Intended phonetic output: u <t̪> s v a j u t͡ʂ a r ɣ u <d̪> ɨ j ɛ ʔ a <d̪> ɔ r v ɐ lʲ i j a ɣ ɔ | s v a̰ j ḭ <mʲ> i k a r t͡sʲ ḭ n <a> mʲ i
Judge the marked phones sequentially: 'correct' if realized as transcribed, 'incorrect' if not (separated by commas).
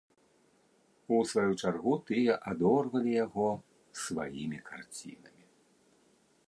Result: incorrect, incorrect, correct, correct, incorrect